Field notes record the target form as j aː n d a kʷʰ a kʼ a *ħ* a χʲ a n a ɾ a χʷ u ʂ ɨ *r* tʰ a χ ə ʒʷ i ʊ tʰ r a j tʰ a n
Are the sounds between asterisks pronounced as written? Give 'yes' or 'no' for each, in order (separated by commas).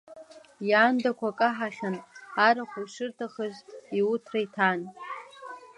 yes, yes